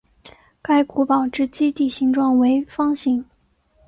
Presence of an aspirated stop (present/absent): absent